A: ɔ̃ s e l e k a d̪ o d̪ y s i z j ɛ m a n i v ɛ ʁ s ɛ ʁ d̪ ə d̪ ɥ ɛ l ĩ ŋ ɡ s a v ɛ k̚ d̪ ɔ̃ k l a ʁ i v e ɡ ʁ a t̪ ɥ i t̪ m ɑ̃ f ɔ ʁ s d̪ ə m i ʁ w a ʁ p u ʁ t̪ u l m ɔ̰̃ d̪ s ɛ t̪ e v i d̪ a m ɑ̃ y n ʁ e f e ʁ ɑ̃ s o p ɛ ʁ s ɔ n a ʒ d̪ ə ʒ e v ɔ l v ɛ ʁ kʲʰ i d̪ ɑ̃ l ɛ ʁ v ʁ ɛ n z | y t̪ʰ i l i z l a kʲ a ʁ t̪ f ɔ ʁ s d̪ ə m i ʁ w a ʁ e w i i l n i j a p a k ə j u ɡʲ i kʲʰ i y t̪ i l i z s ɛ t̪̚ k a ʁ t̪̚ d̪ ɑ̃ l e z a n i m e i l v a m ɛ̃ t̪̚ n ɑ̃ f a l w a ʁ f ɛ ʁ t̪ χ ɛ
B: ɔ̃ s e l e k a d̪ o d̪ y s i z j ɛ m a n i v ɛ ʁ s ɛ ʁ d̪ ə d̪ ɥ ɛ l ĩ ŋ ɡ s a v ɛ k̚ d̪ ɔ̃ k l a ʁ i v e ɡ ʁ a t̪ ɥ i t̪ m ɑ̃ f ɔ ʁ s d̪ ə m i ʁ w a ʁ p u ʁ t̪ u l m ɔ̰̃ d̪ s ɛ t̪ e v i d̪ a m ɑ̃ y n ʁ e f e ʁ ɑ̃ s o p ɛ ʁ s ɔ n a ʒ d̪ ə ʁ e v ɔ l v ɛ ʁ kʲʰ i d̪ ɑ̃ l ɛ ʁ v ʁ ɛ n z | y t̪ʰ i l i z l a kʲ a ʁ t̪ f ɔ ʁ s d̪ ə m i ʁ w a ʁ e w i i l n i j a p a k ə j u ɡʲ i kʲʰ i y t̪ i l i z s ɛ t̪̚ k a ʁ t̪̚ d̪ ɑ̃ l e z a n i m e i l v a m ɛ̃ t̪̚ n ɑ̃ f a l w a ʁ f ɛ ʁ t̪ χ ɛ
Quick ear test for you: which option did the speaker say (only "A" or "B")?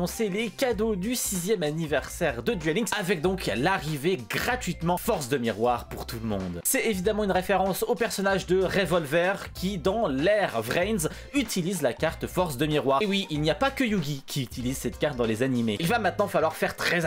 B